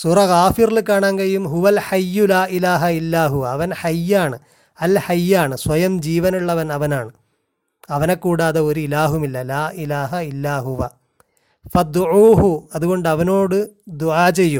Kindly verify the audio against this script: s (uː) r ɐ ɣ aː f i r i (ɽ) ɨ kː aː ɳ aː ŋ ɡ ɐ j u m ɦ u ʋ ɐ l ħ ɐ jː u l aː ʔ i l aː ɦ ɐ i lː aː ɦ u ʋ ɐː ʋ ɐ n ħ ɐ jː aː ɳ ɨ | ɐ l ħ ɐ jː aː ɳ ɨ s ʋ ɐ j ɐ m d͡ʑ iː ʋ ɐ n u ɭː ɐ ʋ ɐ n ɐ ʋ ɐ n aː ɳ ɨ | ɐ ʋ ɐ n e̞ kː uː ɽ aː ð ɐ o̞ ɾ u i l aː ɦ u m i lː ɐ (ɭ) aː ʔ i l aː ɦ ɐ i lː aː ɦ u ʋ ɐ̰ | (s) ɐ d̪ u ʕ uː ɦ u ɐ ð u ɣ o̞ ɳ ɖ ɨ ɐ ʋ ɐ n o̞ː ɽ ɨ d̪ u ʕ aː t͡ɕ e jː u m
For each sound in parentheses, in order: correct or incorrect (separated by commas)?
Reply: correct, incorrect, incorrect, incorrect